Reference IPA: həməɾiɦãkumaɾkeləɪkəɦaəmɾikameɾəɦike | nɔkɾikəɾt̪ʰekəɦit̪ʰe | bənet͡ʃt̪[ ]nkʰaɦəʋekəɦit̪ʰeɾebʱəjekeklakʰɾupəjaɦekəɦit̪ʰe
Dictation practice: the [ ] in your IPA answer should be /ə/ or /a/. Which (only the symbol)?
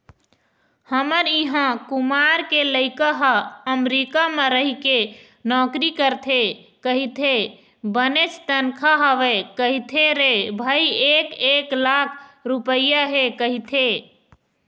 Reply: ə